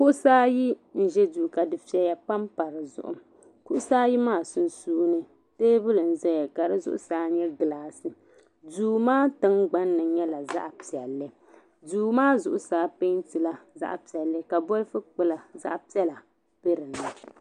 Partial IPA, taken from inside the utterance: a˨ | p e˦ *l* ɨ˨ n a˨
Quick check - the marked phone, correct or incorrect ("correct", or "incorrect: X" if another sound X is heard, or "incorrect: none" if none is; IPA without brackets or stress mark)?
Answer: incorrect: ɾ